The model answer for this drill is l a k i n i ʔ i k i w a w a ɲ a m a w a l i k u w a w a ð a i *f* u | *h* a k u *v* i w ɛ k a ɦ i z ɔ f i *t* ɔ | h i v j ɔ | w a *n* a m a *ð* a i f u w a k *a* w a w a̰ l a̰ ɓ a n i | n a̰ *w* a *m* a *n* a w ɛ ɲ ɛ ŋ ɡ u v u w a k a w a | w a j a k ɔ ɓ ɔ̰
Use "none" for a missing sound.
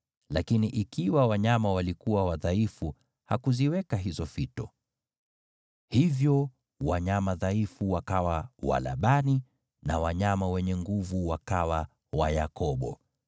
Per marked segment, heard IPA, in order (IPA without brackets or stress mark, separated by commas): f, h, z, t, ɲ, ð, a, w, ɲ, m